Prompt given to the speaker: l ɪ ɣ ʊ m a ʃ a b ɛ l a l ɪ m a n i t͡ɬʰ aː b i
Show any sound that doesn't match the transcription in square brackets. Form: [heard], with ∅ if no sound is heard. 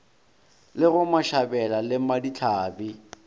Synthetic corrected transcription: l ɪ ɣ ʊ m a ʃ a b ɛ l a l ɪ m a [d] i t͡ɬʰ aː b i